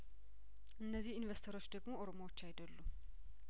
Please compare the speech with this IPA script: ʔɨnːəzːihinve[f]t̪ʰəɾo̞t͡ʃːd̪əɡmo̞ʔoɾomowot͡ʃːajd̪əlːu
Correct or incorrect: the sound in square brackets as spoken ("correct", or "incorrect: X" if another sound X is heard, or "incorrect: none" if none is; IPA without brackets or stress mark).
incorrect: s